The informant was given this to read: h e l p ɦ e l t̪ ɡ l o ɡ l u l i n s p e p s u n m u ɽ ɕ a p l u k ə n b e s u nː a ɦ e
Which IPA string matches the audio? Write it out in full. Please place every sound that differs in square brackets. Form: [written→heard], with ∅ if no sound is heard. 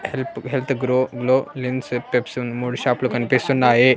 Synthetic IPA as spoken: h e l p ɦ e l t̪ ɡ [l→ɾ] o ɡ l [u→o] l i n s p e p s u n m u ɽ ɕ a p l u k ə n [b→p] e s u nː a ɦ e